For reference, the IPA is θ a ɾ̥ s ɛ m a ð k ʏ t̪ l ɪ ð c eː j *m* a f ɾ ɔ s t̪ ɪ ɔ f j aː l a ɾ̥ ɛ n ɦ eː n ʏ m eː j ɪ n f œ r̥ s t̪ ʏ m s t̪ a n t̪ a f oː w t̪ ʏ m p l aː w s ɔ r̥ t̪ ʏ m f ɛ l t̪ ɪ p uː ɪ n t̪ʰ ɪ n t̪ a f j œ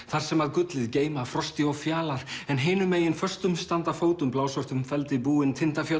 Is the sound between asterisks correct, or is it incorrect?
correct